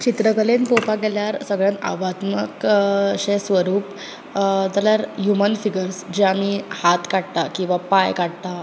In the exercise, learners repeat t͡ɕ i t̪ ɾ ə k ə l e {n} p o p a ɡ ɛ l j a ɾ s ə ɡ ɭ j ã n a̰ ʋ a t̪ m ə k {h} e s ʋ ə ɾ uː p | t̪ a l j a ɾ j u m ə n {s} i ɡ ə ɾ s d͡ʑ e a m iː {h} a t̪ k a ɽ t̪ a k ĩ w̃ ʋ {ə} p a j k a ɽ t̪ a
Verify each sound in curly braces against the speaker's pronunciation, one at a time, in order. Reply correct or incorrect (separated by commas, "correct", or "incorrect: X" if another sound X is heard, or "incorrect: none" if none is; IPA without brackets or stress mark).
correct, incorrect: ɕ, incorrect: f, correct, incorrect: a